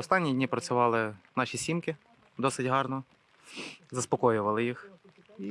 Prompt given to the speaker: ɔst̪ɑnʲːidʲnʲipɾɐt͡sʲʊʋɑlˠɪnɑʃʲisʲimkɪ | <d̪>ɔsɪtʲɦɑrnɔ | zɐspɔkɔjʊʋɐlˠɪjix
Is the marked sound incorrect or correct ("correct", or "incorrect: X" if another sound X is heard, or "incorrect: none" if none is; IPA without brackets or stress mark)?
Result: correct